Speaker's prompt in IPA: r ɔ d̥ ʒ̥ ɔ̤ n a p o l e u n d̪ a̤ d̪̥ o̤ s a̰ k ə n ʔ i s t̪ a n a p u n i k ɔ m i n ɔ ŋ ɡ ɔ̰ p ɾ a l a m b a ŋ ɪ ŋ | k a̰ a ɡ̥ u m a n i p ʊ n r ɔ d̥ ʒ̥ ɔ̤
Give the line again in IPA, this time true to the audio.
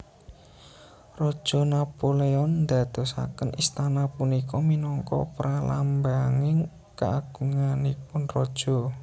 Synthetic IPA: r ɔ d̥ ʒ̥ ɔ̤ n a p o l e ɔ n d̪ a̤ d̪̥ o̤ s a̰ k ə n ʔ i s t̪ a n a p u n i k ɔ m i n ɔ ŋ k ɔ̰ p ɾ a l a m b a ŋ ɪ ŋ | k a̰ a ɡ̥ u ŋ a n i p ʊ n r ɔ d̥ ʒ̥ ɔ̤